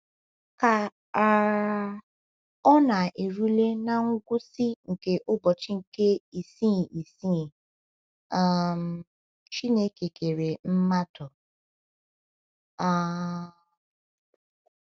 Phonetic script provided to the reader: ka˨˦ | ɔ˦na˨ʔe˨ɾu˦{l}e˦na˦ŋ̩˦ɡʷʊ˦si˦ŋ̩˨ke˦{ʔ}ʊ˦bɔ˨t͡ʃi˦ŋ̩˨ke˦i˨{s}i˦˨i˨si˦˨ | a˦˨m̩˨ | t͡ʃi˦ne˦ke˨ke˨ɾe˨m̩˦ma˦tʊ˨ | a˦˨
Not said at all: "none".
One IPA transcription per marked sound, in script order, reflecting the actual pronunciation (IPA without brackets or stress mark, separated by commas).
l, ʔ, s